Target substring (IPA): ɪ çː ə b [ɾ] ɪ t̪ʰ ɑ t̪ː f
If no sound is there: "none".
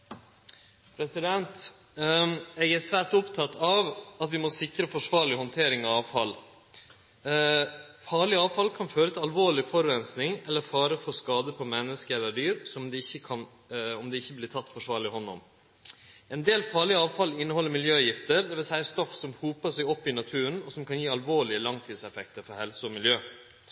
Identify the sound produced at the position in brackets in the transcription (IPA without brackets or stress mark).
l